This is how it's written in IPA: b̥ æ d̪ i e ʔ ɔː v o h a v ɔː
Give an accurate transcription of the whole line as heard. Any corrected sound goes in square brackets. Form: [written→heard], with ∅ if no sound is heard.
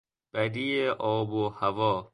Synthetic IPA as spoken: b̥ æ d̪ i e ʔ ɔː [v→b] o h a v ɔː